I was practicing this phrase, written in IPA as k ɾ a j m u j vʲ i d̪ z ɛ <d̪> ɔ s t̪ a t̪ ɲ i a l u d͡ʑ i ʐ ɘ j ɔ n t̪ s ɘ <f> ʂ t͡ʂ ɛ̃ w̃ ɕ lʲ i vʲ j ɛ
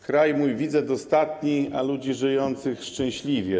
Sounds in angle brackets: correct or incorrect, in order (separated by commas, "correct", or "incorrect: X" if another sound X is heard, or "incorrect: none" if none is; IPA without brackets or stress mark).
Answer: correct, incorrect: x